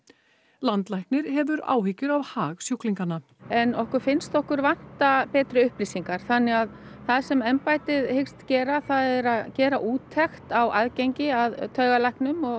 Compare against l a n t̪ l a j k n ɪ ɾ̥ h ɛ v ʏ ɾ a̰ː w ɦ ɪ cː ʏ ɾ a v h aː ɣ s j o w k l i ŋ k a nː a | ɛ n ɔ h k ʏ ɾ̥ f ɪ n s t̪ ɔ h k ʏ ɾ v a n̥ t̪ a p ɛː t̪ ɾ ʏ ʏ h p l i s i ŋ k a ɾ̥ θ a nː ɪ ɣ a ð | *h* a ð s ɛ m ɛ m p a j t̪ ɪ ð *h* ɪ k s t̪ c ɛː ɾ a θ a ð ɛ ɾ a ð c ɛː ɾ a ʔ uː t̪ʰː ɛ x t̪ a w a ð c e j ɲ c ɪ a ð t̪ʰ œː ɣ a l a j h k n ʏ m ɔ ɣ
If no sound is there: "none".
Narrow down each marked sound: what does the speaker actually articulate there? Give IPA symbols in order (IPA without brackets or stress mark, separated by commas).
θ, h